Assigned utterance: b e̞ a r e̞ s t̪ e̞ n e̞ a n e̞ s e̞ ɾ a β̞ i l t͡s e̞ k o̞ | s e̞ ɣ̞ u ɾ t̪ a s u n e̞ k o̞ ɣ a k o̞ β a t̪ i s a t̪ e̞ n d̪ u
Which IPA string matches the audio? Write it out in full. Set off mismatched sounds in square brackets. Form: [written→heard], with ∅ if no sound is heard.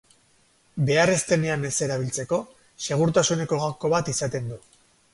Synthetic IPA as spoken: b e̞ a r e̞ s t̪ e̞ n e̞ a n e̞ s e̞ ɾ a β̞ i l t͡s e̞ k o̞ | s e̞ ɣ̞ u ɾ t̪ a s u n e̞ k o̞ ɣ a k o̞ β a t̪ i s a t̪ e̞ n d̪ u

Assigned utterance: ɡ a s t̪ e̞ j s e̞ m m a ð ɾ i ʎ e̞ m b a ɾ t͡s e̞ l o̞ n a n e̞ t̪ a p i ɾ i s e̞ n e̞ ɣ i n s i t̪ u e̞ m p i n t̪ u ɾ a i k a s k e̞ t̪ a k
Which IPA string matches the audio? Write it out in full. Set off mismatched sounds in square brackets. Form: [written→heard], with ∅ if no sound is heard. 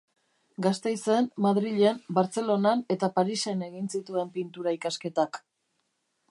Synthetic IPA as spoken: ɡ a s t̪ e̞ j s e̞ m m a ð ɾ i ʎ e̞ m b a ɾ t͡s e̞ l o̞ n a n e̞ t̪ a p [i→a] ɾ i s e̞ n e̞ ɣ i n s i t̪ u e̞ m p i n t̪ u ɾ a i k a s k e̞ t̪ a k

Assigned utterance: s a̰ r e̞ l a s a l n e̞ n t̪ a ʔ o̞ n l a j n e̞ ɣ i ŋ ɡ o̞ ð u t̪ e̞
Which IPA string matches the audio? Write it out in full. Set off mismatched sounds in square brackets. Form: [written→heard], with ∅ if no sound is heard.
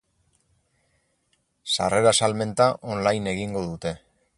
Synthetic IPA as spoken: s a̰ r e̞ [l→ɾ] a s a l [n→m] e̞ n t̪ a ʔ o̞ n l a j n e̞ ɣ i ŋ ɡ o̞ ð u t̪ e̞

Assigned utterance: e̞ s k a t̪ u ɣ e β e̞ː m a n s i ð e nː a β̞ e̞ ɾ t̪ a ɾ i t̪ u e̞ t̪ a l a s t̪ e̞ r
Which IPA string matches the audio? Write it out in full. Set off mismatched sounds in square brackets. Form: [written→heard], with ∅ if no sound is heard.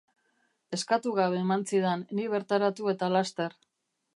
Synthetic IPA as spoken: e̞ s k a t̪ u ɣ [e→a] β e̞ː m a n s i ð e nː [a→i] β̞ e̞ ɾ t̪ a ɾ [i→a] t̪ u e̞ t̪ a l a s t̪ e̞ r

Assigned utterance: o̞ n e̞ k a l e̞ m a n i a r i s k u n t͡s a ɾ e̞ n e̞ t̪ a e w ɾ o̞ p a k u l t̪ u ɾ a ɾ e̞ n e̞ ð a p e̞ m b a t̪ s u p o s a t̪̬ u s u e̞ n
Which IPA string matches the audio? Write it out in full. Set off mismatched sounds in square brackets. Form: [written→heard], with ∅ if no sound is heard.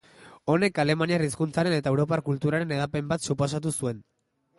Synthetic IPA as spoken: o̞ n e̞ k a l e̞ m a n i a r i s k u n t͡s a ɾ e̞ n e̞ t̪ a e w ɾ o̞ p a k u l t̪ u ɾ a ɾ e̞ n e̞ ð a p e̞ m b a t̪ s u p o s a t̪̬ u s u e̞ n

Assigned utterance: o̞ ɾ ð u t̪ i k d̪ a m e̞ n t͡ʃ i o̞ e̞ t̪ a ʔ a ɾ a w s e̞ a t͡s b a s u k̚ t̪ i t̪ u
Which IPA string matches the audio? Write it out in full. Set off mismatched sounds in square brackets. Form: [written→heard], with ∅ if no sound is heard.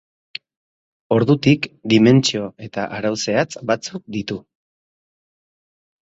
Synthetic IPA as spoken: o̞ ɾ ð u t̪ i k d̪ [a→i] m e̞ n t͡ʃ i o̞ e̞ t̪ a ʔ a ɾ a w s e̞ a t͡s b a [s→t͡s] u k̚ [t̪→d̪] i t̪ u

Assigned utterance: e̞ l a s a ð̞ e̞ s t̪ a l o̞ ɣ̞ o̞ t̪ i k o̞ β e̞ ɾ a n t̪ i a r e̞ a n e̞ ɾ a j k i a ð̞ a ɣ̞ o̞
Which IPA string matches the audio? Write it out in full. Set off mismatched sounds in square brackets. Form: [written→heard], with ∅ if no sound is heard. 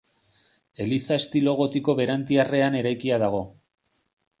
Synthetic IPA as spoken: e̞ l [a→i] s a [ð̞→∅] e̞ s t̪ [a→i] l o̞ ɣ̞ o̞ t̪ i k o̞ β e̞ ɾ a n t̪ i a r e̞ a n e̞ ɾ a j k i a ð̞ a ɣ̞ o̞

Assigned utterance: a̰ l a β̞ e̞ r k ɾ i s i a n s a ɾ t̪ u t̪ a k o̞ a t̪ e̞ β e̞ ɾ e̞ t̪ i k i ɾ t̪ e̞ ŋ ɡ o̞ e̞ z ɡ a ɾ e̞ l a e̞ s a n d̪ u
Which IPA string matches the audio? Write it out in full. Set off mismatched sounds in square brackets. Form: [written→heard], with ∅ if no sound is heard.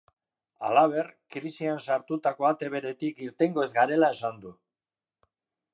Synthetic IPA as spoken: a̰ l a β̞ e̞ r k ɾ i s i a n s a ɾ t̪ u t̪ a k o̞ a t̪ e̞ β e̞ ɾ e̞ t̪ i k i ɾ t̪ e̞ ŋ ɡ o̞ e̞ z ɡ a ɾ e̞ l a e̞ s a n d̪ u

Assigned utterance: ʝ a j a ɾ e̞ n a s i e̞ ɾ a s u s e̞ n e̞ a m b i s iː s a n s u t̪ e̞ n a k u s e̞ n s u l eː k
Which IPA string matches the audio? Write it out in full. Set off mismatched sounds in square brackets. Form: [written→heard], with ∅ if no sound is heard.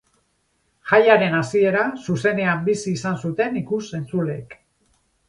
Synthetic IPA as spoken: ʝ a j a ɾ e̞ n a s i e̞ ɾ a s u s e̞ n e̞ a m b i s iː s a n s u t̪ e̞ n [a→i] k u s e̞ n [s→t͡s] u l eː k

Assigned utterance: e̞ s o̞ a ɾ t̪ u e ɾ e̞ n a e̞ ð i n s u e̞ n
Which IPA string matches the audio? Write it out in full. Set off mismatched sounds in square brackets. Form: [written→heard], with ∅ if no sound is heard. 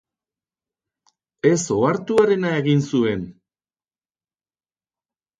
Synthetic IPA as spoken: e̞ s o̞ a ɾ t̪ u [e→a] ɾ e̞ n a e̞ [ð→ɣ] i n s u e̞ n

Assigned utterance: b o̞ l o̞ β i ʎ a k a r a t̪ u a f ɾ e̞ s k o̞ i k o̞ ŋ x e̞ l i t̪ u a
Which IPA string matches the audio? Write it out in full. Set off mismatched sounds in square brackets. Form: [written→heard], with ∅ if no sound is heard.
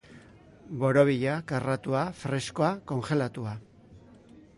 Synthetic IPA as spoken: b o̞ [l→ɾ] o̞ β i ʎ a k a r a t̪ u a f ɾ e̞ s k o̞ [i→a] k o̞ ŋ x e̞ l [i→a] t̪ u a

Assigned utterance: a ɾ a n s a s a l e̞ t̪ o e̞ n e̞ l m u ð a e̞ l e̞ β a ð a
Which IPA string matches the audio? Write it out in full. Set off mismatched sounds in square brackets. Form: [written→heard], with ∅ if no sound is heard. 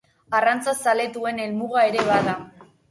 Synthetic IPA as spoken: a [ɾ→r] a n [s→t͡s] a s a l e̞ t̪ [o→u] e̞ n e̞ l m u [ð→ɣ] a e̞ [l→ɾ] e̞ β a ð a

